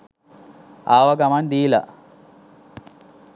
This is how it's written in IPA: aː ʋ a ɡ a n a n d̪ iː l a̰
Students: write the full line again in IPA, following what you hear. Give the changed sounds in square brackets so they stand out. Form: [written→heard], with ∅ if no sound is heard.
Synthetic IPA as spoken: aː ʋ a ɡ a [n→m] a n d̪ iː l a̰